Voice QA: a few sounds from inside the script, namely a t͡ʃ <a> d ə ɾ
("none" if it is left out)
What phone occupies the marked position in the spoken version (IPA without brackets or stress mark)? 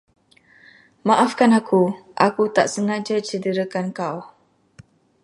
ə